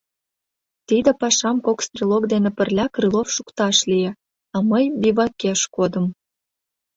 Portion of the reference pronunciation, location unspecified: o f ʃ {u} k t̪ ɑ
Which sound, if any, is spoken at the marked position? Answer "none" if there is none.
u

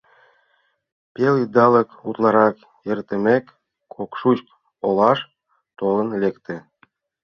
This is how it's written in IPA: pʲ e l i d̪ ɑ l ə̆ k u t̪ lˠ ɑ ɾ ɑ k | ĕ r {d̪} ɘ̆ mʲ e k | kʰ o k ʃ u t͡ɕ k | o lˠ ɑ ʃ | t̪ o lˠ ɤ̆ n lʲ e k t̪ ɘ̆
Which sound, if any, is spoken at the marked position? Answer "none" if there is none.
t̪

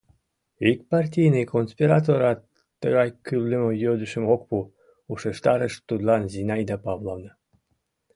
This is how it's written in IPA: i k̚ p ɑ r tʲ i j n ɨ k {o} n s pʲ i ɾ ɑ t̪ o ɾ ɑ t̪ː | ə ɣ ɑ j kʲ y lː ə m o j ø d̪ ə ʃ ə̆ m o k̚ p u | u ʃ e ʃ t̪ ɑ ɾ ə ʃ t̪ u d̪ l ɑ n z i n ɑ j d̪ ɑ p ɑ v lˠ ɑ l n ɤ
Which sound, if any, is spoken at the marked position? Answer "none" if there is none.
o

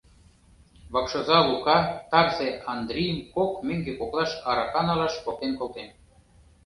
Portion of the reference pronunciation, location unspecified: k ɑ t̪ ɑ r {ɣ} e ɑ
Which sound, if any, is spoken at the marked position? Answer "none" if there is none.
z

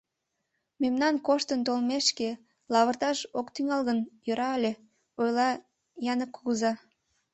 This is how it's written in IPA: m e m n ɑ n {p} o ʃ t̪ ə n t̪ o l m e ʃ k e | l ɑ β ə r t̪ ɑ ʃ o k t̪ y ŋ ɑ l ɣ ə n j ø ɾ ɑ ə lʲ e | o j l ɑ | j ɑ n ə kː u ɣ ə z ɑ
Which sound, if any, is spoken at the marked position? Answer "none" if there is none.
k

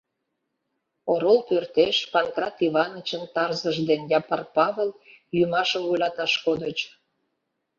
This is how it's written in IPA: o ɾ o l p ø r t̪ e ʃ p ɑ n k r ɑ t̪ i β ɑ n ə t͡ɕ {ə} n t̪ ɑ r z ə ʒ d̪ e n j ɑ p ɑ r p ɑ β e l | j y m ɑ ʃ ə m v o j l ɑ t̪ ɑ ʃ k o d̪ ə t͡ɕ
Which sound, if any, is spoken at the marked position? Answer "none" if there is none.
ə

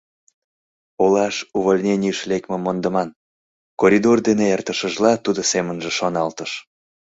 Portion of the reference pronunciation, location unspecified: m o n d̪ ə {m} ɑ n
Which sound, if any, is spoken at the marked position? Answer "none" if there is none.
m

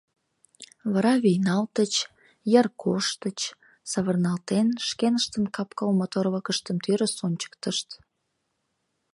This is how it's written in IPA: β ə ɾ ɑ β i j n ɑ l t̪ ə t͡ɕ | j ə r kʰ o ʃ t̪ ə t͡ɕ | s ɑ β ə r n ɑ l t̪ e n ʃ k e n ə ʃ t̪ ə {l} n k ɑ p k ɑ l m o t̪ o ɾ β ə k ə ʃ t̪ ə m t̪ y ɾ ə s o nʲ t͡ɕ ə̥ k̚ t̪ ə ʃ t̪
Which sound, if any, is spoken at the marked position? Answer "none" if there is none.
none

